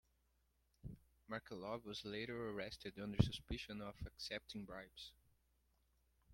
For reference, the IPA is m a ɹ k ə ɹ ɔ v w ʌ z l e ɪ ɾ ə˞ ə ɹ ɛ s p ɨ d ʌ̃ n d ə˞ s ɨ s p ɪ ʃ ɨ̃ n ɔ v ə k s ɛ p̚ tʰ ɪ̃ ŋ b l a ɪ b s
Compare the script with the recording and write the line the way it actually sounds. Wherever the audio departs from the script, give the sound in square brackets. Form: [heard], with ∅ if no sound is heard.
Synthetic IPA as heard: m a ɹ k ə [l] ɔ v w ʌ z l e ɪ ɾ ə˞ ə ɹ ɛ s [t] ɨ d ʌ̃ n d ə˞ s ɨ s p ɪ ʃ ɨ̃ n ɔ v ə k s ɛ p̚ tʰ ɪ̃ ŋ b [ɹ] a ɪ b s

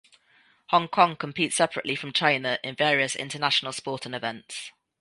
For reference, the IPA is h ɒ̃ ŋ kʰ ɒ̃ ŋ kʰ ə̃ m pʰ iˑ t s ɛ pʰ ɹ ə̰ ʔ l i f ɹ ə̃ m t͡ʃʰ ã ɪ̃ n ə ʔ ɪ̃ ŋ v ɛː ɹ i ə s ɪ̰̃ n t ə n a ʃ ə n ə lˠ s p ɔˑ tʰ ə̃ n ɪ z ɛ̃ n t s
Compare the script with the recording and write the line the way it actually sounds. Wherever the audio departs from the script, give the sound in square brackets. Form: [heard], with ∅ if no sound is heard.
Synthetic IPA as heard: h ɒ̃ ŋ kʰ ɒ̃ ŋ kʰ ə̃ m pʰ iˑ t s ɛ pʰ ɹ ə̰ ʔ l i f ɹ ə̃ m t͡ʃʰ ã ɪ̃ n ə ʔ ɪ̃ [n] v ɛː ɹ i ə s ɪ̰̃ n t ə n a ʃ ə n ə lˠ s p ɔˑ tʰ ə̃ n ɪ [v] ɛ̃ n t s

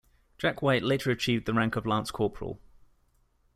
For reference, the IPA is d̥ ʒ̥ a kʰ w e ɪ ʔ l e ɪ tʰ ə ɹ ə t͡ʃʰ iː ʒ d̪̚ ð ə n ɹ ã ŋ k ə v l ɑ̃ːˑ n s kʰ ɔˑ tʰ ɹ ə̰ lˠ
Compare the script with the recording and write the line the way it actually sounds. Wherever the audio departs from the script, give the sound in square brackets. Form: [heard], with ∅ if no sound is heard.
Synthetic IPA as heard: d̥ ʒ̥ a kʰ w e ɪ ʔ l e ɪ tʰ ə ɹ ə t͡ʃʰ iː [v] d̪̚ ð ə [∅] ɹ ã ŋ k ə v l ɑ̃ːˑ n s kʰ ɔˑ [pʰ] ɹ ə̰ lˠ

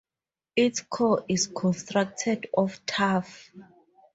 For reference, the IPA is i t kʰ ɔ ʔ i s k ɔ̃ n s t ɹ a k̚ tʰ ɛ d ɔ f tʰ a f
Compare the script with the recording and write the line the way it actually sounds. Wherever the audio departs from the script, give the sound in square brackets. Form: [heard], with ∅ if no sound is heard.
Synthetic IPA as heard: i t kʰ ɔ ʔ i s [kʰ] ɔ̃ n s t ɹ a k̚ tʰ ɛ d ɔ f tʰ a f

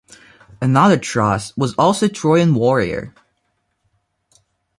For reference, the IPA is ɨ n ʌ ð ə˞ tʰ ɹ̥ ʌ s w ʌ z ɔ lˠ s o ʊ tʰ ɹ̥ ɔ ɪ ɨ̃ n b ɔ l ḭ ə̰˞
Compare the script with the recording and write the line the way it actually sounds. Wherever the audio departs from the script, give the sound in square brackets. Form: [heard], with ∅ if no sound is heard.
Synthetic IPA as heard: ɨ n ʌ ð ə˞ tʰ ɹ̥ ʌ s w ʌ z ɔ lˠ s o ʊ tʰ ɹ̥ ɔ ɪ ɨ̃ n [w] ɔ [ɹ] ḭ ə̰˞

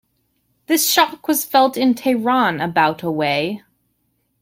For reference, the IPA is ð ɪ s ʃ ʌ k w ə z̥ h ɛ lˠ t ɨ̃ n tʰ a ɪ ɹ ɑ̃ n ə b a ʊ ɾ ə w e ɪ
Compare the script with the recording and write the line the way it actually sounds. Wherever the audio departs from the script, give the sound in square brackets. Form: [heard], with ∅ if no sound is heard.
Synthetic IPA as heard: ð ɪ s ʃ [ɑ] k w [ʌ] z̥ [f] ɛ lˠ t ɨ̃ n tʰ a ɪ ɹ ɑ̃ n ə b a ʊ ɾ ə w e ɪ

